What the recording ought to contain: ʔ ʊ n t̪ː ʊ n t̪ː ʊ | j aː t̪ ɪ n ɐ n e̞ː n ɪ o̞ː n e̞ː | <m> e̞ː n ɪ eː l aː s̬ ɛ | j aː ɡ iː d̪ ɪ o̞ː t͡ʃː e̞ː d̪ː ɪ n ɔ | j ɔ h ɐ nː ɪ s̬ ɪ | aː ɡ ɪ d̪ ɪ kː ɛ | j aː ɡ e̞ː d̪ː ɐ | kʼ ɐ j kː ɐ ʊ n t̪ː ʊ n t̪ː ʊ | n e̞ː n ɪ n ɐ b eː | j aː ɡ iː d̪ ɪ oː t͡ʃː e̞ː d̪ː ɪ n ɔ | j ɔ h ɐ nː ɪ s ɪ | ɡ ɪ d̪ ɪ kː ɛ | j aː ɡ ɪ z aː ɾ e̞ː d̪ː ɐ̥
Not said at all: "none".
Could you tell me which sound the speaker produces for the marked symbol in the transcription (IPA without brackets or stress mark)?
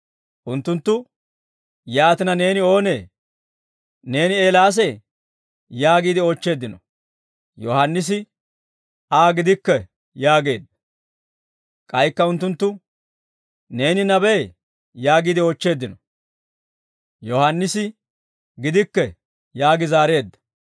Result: n